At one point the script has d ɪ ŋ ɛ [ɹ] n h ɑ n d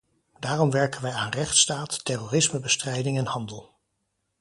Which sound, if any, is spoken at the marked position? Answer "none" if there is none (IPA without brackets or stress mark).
none